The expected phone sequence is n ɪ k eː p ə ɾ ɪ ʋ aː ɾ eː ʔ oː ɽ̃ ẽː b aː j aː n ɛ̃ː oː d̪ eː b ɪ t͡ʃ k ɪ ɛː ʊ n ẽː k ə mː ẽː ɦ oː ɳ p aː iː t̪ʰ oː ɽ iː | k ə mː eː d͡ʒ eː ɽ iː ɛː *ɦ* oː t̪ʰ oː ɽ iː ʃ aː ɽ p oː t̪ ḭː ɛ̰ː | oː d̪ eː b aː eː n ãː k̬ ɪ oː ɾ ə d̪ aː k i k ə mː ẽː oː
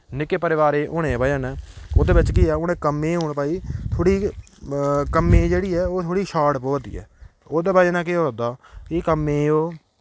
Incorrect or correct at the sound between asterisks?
incorrect: none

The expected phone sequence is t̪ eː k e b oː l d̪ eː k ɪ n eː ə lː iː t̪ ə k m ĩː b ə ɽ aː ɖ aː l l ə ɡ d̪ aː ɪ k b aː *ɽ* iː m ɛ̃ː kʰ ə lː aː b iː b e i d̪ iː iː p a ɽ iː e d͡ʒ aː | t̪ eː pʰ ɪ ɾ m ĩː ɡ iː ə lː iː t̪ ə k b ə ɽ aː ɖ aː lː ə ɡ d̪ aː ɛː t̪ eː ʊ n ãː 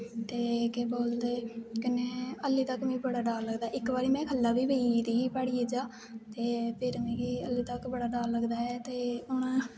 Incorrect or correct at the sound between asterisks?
incorrect: ɾ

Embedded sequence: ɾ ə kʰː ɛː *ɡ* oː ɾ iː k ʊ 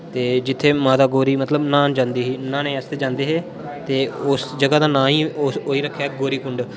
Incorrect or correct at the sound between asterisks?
correct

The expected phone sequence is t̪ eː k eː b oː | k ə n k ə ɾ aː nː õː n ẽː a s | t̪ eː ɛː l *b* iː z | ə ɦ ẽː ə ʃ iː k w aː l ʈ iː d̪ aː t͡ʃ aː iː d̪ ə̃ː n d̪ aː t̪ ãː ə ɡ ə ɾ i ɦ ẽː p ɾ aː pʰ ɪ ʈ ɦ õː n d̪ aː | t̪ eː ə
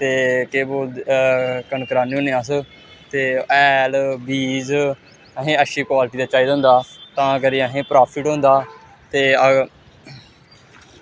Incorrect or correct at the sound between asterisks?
correct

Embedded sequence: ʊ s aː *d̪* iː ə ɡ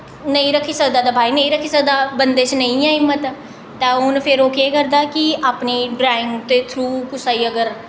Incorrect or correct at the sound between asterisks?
incorrect: none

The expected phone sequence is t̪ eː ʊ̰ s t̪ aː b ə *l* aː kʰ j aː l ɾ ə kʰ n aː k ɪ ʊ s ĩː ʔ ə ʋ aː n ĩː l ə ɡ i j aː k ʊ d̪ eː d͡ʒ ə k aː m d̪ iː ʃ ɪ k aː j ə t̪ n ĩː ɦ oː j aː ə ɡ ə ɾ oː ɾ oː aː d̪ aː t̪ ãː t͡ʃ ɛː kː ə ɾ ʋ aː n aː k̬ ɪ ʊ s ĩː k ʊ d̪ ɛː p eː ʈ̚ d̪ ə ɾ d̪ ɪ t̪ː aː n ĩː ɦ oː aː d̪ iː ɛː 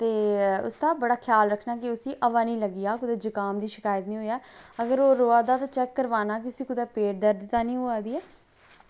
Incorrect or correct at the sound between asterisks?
incorrect: ɽ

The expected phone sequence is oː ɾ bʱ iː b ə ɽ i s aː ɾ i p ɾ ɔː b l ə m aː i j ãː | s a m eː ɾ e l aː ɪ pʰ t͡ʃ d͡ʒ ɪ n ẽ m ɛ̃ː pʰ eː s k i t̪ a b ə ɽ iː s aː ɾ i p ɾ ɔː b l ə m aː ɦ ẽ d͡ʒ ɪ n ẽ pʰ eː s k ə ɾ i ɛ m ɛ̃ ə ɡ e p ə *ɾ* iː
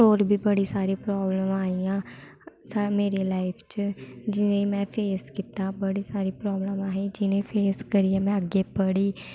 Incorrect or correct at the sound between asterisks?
incorrect: ɽ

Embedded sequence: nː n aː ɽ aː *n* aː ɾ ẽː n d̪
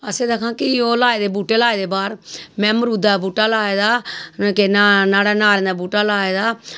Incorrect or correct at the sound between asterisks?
correct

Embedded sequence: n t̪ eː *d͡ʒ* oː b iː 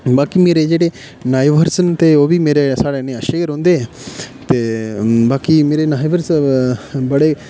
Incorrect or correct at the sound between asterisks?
incorrect: none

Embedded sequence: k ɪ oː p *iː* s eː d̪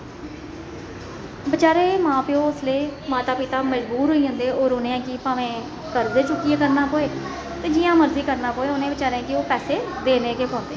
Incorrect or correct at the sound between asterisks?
incorrect: ɛː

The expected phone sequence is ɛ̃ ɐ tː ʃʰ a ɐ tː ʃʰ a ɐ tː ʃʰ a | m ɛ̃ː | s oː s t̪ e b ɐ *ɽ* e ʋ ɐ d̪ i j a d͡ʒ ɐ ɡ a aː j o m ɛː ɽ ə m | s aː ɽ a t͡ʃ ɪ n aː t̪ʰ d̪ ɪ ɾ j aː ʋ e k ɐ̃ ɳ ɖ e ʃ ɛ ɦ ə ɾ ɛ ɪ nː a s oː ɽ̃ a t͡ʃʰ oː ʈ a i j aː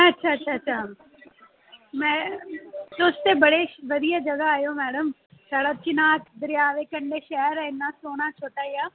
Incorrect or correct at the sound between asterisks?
correct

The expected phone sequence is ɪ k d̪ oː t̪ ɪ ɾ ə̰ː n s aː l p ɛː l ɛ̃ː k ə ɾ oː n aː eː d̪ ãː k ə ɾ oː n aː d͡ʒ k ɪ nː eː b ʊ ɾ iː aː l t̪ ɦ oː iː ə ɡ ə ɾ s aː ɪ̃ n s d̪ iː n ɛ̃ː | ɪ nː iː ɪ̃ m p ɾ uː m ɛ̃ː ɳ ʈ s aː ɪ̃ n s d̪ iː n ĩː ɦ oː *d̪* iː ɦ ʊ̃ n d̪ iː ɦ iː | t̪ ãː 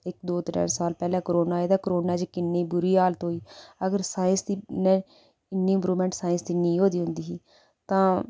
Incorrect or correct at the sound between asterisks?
correct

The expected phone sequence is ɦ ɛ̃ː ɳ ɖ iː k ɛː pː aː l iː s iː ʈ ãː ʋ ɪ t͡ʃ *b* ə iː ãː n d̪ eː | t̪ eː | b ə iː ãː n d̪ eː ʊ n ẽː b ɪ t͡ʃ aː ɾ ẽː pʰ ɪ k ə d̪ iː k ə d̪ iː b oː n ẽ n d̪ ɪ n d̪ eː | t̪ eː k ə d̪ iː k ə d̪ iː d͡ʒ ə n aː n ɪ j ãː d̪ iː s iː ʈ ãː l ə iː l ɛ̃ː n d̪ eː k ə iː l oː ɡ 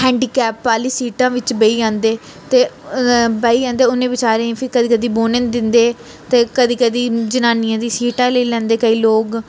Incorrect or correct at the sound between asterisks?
correct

